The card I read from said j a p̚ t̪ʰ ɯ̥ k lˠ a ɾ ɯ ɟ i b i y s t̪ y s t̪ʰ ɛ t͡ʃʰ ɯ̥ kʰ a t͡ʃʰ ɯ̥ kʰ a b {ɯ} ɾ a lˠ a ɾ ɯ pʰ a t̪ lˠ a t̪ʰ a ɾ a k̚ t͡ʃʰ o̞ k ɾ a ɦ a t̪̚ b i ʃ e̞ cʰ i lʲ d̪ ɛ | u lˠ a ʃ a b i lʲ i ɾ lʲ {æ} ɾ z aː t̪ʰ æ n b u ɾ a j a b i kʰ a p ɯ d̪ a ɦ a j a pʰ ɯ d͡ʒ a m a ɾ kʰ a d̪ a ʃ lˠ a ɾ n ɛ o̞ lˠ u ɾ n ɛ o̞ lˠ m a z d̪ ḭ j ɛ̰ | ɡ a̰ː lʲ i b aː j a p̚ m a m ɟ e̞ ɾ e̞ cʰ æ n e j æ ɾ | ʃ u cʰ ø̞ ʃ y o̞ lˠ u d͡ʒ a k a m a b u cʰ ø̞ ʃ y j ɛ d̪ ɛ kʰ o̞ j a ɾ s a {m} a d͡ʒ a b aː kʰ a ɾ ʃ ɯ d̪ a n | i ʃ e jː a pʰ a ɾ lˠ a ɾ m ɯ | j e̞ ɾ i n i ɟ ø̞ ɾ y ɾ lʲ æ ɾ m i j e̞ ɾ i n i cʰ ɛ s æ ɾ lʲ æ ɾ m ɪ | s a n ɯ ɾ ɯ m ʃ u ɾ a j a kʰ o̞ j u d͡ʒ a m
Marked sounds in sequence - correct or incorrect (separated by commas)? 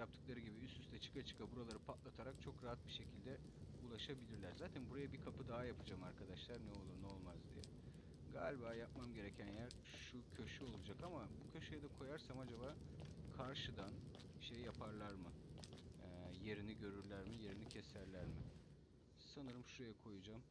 incorrect, correct, correct